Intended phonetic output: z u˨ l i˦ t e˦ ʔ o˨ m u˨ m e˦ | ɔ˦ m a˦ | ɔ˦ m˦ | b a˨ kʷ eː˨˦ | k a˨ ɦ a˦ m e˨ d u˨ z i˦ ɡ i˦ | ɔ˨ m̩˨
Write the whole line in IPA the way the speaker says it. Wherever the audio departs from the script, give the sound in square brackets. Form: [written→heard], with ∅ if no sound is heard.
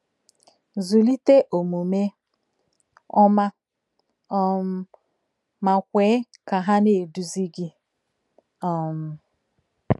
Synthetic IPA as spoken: z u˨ l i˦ t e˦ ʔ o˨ m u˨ m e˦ | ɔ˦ m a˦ | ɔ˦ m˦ | [b→m] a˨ kʷ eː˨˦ | k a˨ ɦ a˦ [m→n] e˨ d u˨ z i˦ ɡ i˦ | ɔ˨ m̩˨